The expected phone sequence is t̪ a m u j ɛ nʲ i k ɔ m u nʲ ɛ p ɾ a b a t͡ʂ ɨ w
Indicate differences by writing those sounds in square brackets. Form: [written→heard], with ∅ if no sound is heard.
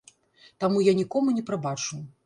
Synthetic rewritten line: t̪ a m u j [ɛ→a] nʲ i k ɔ m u nʲ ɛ p ɾ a b a t͡ʂ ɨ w